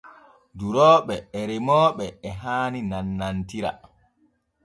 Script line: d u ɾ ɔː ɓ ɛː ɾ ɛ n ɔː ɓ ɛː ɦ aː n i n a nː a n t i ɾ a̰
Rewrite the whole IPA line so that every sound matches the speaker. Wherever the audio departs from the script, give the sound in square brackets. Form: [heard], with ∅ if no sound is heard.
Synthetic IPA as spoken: d u ɾ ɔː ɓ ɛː ɾ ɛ [m] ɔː ɓ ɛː ɦ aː n i n a nː a n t i ɾ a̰